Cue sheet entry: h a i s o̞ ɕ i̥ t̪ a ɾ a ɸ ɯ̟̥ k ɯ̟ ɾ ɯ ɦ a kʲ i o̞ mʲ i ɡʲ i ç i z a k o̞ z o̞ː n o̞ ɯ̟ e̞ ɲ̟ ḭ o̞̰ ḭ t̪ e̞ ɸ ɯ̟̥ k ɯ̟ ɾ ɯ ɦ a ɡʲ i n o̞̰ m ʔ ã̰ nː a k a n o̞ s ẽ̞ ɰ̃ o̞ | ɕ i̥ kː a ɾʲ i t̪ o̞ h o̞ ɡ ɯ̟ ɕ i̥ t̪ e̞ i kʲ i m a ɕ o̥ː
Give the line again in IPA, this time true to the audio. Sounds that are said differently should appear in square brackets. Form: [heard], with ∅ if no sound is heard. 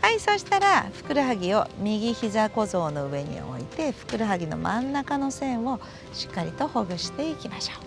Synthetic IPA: h a i s o̞ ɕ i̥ t̪ a ɾ a ɸ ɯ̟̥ k ɯ̟ ɾ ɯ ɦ a [ɡʲ] i o̞ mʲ i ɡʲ i ç i z a k o̞ z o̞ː n o̞ ɯ̟ e̞ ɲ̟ ḭ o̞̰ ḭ t̪ e̞ ɸ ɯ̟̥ k ɯ̟ ɾ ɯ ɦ a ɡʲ i n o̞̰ m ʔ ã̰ nː a k a n o̞ s ẽ̞ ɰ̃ o̞ | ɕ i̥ kː a ɾʲ i t̪ o̞ h o̞ ɡ ɯ̟ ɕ i̥ t̪ e̞ i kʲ i m a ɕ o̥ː